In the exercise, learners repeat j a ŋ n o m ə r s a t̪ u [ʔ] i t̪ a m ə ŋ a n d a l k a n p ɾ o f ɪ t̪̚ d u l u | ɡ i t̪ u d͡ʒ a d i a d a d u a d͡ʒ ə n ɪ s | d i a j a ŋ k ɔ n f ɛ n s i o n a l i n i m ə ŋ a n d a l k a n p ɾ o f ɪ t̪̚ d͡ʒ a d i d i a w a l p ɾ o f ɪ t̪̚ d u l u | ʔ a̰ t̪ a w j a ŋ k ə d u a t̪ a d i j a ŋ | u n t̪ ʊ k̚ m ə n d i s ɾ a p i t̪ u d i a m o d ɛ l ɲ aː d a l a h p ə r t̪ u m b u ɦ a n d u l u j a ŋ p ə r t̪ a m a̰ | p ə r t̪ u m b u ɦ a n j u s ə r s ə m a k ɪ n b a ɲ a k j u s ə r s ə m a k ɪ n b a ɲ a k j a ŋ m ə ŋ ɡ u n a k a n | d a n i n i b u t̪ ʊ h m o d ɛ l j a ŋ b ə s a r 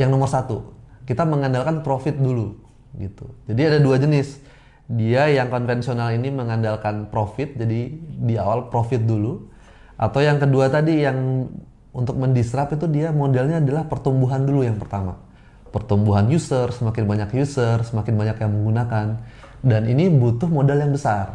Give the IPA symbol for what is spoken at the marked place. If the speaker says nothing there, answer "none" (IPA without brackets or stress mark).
k